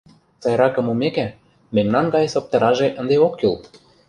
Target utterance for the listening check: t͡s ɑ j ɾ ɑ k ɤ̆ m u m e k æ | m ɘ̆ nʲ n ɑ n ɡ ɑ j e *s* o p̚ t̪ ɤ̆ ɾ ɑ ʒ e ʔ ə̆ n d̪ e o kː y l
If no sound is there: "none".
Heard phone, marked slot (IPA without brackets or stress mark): s